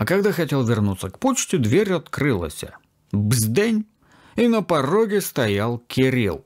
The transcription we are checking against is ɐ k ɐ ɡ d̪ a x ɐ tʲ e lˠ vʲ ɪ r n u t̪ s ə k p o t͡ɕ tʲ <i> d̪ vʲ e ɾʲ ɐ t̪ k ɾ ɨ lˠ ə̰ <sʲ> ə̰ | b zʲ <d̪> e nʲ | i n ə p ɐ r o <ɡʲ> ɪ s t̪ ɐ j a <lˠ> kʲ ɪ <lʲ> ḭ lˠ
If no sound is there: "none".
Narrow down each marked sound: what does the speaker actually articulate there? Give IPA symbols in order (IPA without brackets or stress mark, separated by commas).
ɪ, sʲ, d̪, ɡʲ, lˠ, ɾʲ